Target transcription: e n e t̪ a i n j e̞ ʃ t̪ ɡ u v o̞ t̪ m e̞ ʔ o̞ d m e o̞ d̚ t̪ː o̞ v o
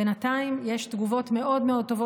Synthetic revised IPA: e n a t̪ a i m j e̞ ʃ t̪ ɡ u v o̞ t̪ m e̞ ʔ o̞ d m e o̞ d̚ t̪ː o̞ v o